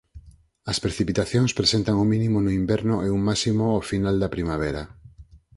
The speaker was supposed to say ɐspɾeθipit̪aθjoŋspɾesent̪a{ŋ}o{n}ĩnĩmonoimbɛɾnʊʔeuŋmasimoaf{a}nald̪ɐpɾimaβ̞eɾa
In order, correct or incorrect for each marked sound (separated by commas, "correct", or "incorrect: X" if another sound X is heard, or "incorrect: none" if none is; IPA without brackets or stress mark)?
correct, incorrect: m, incorrect: i